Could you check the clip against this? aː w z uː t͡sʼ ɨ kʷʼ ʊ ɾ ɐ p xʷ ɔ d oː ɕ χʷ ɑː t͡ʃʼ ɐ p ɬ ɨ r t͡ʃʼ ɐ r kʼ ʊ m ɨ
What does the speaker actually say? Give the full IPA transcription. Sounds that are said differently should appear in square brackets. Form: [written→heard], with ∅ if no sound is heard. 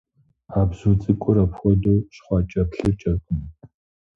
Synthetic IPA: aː [w→b] z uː t͡sʼ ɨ kʷʼ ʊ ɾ ɐ p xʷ ɔ d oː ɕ χʷ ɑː t͡ʃʼ ɐ p ɬ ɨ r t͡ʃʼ ɐ r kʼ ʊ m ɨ